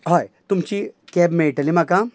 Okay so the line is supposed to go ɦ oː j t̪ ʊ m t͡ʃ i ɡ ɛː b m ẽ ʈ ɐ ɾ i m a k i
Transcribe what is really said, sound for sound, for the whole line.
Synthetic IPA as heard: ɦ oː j t̪ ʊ m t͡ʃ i k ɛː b m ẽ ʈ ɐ l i m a k a